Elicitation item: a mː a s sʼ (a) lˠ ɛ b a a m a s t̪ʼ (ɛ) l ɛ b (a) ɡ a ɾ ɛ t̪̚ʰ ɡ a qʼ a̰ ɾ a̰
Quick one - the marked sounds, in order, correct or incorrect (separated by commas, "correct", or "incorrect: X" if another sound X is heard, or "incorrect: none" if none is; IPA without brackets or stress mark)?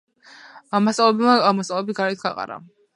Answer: correct, incorrect: a, incorrect: i